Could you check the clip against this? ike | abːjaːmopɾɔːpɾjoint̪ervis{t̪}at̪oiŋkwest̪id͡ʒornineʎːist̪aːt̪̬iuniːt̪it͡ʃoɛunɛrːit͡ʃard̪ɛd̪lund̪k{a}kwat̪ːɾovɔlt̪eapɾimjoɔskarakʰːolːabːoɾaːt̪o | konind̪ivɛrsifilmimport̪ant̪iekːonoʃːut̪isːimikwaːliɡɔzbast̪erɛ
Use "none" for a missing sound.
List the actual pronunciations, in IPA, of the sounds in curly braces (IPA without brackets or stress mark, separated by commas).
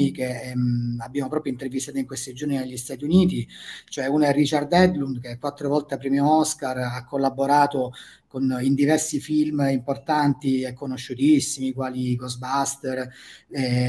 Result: t̪, e